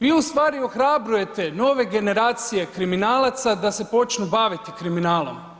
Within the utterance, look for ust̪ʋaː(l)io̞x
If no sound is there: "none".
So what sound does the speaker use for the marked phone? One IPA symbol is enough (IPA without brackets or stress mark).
ɾ